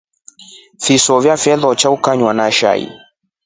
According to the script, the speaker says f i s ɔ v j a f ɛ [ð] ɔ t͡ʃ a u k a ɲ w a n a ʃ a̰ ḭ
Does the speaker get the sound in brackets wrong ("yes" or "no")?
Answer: no